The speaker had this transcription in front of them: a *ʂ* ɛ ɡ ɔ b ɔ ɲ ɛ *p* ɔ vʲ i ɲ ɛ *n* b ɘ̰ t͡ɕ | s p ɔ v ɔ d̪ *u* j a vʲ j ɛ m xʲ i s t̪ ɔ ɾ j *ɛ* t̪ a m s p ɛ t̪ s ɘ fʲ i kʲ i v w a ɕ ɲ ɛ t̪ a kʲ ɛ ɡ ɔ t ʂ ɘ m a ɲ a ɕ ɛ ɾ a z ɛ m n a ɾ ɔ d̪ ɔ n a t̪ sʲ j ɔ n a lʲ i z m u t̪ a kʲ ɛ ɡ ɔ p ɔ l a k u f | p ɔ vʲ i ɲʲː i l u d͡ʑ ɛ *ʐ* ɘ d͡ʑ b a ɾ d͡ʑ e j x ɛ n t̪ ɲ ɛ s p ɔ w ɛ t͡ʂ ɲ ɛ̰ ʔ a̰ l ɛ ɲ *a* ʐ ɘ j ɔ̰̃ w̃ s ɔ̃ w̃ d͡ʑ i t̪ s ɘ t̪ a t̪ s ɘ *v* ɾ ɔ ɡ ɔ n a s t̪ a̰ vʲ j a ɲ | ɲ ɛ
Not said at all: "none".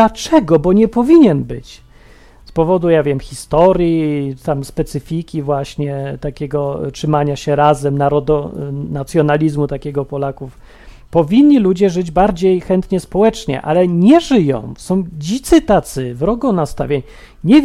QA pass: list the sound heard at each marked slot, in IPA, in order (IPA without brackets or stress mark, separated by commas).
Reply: t͡ʂ, p, n, u, i, ʐ, ɛ, v